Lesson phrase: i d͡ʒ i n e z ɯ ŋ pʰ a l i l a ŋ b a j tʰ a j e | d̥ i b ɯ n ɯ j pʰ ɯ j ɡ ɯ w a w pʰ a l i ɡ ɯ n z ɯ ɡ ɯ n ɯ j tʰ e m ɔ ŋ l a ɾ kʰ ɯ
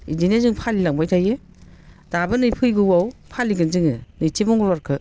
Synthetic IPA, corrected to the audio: i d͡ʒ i n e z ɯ ŋ pʰ a l i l a ŋ b a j tʰ a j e | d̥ a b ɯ n ɯ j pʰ ɯ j ɡ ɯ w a w pʰ a l i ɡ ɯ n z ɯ ŋ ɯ n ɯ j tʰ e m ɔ ŋ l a ɾ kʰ ɯ